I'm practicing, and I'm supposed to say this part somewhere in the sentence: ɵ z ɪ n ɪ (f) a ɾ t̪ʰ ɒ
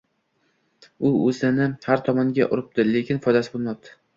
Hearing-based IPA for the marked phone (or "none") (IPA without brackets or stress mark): h